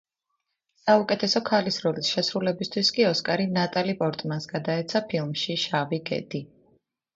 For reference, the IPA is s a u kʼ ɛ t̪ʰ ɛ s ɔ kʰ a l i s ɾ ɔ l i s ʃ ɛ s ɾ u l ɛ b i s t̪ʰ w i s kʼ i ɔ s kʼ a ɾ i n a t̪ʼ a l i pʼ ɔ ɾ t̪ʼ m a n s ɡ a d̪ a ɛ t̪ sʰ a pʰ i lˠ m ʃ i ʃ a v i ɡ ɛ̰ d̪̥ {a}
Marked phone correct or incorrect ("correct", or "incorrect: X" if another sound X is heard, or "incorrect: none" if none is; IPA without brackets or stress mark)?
incorrect: i